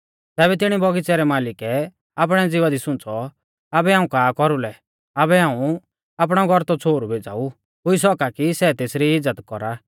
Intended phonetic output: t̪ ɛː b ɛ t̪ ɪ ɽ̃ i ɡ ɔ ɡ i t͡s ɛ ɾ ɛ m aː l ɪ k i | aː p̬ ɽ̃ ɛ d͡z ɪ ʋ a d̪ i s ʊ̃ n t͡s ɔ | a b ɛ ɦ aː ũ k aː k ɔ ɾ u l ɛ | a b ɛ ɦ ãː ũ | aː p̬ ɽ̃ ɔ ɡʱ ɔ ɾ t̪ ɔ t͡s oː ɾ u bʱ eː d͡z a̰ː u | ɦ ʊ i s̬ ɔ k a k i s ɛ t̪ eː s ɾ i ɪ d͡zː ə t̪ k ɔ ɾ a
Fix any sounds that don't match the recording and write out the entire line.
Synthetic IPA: t̪ ɛː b ɛ t̪ ɪ ɽ̃ i b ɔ ɡ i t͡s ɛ ɾ ɛ m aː l ɪ k ɛ | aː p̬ ɽ̃ ɛ d͡z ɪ ʋ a d̪ i s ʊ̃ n t͡s ɔ | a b ɛ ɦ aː ũ k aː k ɔ ɾ u l ɛ | a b ɛ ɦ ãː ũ | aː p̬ ɽ̃ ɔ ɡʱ ɔ ɾ t̪ ɔ t͡sʰ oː ɾ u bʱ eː d͡z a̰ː u | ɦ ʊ i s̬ ɔ k a k i s ɛ t̪ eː s ɾ i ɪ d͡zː ə t̪ k ɔ ɾ a